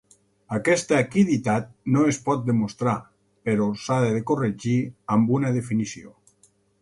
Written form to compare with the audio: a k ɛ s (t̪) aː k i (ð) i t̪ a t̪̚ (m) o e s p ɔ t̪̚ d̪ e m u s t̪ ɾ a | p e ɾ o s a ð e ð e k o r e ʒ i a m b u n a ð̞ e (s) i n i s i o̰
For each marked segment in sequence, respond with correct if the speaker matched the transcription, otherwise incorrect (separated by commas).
correct, correct, incorrect, incorrect